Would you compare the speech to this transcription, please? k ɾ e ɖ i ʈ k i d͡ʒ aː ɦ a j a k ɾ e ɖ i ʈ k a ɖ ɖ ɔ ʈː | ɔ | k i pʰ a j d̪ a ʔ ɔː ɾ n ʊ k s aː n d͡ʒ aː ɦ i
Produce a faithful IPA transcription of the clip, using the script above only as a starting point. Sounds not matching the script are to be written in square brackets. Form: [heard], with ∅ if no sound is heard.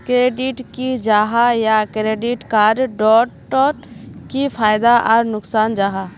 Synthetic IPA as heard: k ɾ e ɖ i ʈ k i d͡ʒ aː ɦ a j a k ɾ e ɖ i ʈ k a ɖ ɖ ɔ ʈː | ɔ | k i pʰ a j d̪ a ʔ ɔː ɾ n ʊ k s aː n d͡ʒ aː ɦ [a]